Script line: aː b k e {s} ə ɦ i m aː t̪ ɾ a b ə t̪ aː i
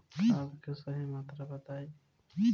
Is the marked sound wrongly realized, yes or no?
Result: no